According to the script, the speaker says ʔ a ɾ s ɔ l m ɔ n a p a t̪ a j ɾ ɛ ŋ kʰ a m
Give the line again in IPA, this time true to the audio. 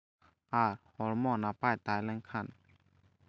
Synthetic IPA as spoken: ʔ a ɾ h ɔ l m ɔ n a p a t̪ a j l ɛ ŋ kʰ a n